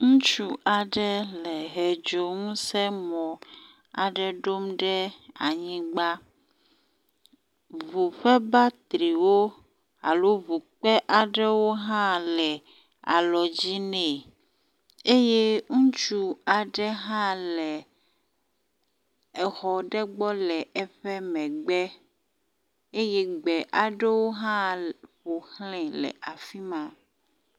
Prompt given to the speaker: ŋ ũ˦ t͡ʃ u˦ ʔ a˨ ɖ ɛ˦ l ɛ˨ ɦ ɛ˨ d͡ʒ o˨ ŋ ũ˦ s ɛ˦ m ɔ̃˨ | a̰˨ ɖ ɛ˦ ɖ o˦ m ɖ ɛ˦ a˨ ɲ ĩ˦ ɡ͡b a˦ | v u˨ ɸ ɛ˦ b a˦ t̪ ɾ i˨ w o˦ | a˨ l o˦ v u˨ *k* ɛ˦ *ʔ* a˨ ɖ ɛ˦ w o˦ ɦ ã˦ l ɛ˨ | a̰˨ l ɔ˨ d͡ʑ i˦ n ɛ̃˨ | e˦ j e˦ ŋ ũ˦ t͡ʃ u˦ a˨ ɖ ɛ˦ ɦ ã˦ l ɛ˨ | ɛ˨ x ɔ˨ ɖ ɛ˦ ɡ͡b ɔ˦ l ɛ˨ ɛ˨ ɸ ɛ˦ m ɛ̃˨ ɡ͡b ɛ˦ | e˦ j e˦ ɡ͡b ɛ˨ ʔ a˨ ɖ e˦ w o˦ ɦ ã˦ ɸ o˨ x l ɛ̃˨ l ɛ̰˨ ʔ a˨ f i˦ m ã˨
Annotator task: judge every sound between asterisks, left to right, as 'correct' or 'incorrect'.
incorrect: k͡p, correct

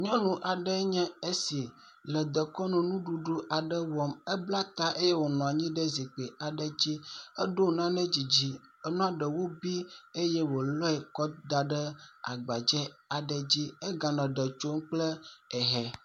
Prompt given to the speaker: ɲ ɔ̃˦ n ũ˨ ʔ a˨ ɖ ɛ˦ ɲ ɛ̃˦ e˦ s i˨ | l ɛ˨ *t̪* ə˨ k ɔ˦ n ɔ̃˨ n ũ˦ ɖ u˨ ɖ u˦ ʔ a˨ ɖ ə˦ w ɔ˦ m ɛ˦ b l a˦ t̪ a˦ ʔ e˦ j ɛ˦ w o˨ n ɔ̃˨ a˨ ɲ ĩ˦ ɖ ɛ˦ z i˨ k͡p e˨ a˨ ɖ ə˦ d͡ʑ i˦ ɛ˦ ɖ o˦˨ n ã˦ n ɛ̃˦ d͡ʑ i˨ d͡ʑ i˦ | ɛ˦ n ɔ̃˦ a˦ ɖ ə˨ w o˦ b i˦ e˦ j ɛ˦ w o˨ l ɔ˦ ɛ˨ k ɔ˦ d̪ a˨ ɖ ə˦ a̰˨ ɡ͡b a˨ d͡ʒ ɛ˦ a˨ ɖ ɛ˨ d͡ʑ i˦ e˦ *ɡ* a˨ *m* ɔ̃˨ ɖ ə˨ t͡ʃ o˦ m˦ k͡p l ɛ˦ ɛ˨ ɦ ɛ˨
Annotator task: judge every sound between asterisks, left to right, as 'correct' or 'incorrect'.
incorrect: d̪, correct, incorrect: n

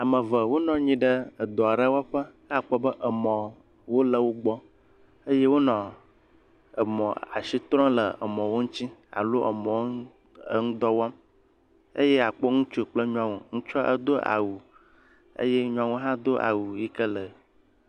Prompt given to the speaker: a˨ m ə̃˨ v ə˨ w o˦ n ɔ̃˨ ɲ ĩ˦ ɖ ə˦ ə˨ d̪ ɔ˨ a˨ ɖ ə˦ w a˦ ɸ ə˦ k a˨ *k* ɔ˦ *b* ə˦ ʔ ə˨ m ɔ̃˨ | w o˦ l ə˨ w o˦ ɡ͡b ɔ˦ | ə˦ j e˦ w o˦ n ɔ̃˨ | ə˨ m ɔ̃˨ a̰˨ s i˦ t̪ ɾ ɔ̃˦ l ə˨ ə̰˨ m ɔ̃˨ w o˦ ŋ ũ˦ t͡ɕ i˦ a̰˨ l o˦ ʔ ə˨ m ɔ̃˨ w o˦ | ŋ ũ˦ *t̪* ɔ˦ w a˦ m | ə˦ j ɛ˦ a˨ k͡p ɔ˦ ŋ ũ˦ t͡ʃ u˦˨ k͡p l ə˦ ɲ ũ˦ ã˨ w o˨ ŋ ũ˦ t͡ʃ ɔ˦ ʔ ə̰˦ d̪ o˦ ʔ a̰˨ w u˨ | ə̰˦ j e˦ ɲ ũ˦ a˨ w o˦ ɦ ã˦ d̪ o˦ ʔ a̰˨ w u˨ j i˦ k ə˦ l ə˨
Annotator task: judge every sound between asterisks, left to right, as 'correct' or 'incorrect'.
incorrect: k͡p, correct, incorrect: d̪

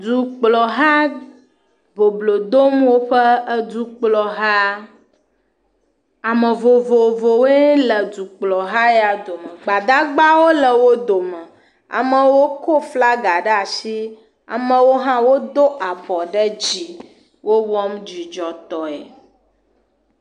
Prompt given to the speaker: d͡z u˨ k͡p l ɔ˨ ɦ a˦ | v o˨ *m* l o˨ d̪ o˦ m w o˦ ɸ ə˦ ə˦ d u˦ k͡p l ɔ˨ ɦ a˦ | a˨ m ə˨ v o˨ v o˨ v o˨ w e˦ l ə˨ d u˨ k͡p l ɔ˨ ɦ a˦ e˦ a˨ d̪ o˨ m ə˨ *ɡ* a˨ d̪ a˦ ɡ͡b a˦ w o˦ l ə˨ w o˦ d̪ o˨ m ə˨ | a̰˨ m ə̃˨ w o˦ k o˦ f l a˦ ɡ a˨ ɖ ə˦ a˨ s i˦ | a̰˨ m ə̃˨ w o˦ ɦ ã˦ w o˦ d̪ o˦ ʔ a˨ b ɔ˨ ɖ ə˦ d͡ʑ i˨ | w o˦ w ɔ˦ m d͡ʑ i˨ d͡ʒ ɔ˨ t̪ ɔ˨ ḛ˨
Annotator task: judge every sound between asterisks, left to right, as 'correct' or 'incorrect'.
incorrect: b, incorrect: ɡ͡b

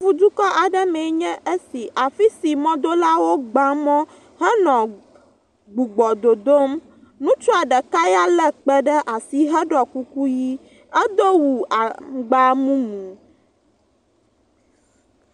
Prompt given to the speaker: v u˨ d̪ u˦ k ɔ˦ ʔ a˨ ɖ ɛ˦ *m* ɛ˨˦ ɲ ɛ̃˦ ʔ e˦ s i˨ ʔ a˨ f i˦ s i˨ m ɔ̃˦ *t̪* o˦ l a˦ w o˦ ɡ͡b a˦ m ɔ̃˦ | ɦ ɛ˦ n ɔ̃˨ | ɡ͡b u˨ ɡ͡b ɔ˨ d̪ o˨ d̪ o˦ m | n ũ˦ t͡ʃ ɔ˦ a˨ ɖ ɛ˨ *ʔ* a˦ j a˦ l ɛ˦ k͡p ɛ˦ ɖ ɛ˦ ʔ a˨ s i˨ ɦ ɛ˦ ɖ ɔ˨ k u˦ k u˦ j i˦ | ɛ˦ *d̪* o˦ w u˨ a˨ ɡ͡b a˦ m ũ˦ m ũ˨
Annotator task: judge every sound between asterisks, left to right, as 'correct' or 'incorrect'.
correct, incorrect: d̪, incorrect: k, correct

